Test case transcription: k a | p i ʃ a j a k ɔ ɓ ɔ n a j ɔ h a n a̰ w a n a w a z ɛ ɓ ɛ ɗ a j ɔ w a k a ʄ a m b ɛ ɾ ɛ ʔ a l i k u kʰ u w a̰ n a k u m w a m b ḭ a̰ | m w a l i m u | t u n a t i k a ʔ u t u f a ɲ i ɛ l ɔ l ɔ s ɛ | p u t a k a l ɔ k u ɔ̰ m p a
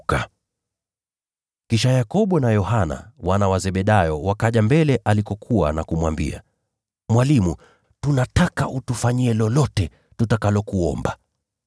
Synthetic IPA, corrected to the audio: k a | k i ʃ a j a k ɔ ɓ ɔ n a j ɔ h a n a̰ w a n a w a z ɛ ɓ ɛ ɗ a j ɔ w a k a ʄ a m b ɛ l ɛ ʔ a l i k ɔ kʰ u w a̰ n a k u m w a m b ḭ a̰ | m w a l i m u | t u n a t a k a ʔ u t u f a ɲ i ɛ l ɔ l ɔ t ɛ | t u t a k a l ɔ k u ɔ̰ m b a